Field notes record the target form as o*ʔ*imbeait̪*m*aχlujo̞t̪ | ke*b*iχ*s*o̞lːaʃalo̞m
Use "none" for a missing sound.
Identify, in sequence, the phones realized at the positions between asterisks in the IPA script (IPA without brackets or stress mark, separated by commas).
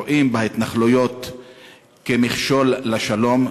ʔ, n, m, ʃ